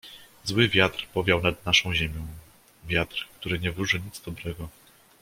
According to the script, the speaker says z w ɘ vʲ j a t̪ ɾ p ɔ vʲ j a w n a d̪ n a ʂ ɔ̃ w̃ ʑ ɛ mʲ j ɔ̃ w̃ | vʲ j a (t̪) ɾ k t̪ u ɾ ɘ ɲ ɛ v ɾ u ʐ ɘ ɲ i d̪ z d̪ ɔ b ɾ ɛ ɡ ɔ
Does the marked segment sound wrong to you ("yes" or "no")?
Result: no